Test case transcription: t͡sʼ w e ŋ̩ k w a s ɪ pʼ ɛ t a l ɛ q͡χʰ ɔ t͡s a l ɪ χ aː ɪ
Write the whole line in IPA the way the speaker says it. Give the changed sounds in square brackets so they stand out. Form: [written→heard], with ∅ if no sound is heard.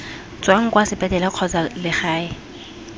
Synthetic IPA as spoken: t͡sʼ w [e→a] ŋ̩ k w a s ɪ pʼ ɛ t [a→ɛ] l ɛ q͡χʰ ɔ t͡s a l ɪ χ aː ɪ